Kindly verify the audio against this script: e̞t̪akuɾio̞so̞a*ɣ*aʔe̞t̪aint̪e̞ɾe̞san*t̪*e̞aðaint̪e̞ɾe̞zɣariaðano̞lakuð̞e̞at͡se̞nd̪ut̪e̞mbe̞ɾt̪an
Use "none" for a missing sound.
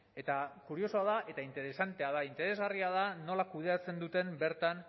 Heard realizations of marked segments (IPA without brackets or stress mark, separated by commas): ð, t̪